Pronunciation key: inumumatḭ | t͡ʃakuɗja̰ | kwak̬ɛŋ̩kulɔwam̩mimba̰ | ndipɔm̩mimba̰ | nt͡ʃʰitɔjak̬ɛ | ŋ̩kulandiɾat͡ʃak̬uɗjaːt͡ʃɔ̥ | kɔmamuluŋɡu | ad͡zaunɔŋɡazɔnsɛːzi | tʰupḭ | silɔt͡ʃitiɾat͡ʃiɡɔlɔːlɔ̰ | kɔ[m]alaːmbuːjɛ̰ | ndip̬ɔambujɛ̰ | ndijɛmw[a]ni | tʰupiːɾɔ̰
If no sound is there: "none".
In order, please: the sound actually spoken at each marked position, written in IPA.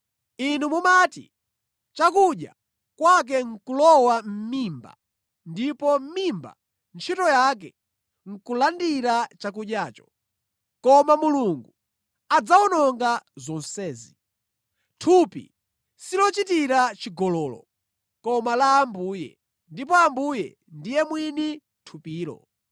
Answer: m, i

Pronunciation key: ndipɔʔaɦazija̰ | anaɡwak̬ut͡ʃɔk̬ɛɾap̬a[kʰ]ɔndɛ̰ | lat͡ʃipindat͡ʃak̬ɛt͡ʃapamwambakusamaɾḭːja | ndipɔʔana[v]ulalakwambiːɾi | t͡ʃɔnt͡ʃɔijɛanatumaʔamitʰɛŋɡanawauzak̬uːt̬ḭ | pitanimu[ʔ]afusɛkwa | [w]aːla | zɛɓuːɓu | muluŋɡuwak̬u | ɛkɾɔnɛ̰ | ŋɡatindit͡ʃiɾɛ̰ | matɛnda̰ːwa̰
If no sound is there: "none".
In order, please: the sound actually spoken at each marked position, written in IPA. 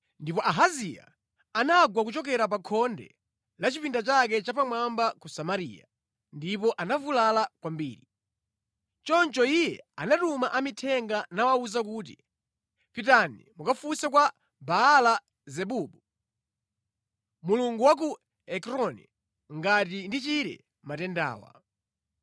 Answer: kʰ, v, k, b

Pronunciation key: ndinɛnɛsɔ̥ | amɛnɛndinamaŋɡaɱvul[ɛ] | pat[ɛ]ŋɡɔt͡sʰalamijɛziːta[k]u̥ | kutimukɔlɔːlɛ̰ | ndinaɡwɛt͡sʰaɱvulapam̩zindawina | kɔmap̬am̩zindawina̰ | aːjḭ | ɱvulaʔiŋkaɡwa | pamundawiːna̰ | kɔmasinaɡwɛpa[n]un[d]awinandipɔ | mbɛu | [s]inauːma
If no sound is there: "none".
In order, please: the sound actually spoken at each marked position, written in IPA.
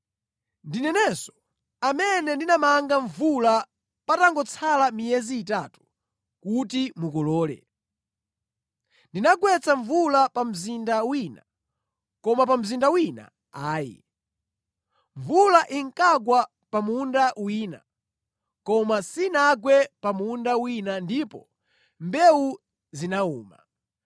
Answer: a, a, t, m, d, z

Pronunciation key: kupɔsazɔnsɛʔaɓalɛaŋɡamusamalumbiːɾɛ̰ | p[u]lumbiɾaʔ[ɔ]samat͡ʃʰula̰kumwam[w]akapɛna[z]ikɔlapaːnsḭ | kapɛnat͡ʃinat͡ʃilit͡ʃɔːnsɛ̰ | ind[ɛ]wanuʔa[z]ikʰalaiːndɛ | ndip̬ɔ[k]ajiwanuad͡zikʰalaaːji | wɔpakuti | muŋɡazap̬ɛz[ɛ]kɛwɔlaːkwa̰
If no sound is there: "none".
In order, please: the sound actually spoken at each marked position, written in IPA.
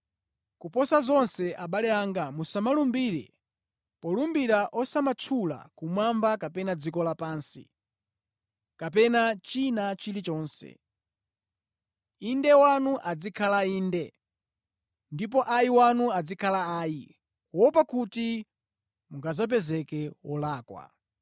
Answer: ɔ, ɔ, b, d͡z, ɛ, d͡z, ʔ, ɛ

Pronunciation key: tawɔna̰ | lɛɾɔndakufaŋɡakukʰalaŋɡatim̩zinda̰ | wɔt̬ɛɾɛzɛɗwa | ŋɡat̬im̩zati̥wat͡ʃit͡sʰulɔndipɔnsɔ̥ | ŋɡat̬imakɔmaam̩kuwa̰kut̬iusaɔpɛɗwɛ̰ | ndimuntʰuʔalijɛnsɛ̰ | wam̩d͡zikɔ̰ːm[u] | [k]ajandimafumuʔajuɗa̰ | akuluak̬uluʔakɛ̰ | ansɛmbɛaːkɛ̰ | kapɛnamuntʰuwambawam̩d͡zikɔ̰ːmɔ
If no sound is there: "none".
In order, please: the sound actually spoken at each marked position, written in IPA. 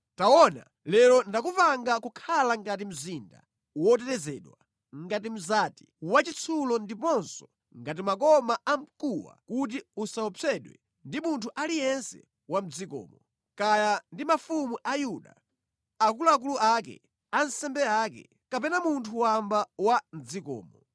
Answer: ɔ, k

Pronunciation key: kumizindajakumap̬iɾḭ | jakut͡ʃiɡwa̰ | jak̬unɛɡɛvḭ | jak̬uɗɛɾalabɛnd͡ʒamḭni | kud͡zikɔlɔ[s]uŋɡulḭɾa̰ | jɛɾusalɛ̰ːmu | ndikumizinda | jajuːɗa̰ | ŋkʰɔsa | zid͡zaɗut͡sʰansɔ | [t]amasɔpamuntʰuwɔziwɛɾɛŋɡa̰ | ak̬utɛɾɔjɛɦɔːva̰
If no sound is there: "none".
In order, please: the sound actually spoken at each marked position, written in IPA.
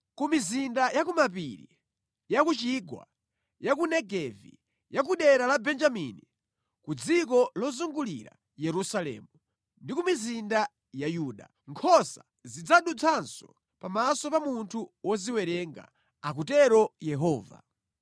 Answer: z, p

